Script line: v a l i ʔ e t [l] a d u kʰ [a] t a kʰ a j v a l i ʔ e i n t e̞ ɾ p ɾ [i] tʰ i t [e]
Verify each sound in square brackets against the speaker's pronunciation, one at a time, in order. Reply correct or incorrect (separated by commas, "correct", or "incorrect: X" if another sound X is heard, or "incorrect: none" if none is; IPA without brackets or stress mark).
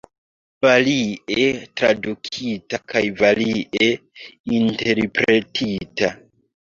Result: incorrect: ɾ, incorrect: i, incorrect: e, incorrect: a